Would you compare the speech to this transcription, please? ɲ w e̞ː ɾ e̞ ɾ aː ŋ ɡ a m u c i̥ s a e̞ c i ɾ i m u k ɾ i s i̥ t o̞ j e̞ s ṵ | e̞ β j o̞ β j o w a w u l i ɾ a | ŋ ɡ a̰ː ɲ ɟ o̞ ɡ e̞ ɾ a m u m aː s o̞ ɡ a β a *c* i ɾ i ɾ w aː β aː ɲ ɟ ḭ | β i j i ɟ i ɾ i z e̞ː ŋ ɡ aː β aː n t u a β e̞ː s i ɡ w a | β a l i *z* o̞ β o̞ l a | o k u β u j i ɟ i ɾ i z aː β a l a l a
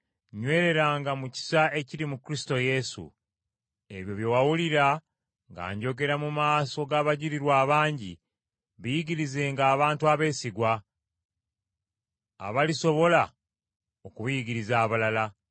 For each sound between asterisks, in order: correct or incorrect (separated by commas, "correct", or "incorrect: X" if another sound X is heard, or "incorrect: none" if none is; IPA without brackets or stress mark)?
incorrect: ɟ, incorrect: s